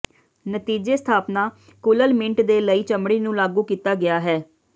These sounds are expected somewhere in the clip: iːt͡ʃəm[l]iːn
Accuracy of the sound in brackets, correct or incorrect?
incorrect